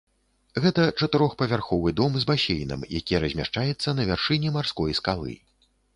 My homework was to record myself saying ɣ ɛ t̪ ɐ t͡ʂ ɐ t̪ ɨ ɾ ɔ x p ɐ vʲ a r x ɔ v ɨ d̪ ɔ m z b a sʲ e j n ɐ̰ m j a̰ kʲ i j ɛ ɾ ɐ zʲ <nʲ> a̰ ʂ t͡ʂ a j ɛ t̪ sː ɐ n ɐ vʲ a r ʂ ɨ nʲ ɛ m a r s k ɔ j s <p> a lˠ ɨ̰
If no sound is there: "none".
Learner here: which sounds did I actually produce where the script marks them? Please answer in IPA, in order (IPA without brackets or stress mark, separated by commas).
mʲ, k